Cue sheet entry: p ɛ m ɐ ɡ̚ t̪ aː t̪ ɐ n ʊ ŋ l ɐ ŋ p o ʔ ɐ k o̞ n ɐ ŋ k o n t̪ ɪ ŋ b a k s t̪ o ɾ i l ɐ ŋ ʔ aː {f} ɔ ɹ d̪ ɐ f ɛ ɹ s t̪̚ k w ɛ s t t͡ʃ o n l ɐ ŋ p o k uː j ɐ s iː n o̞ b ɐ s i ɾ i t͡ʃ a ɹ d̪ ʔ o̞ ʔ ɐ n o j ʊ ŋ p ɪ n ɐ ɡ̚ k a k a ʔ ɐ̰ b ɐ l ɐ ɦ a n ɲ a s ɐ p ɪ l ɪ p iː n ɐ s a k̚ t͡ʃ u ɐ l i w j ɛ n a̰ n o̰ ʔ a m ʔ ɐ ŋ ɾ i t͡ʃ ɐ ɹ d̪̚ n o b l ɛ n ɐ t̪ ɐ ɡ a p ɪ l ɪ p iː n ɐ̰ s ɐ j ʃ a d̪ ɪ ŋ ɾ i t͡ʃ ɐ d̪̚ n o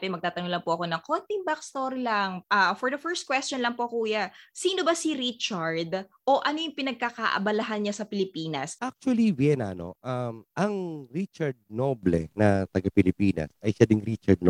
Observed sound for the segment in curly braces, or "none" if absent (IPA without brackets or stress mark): f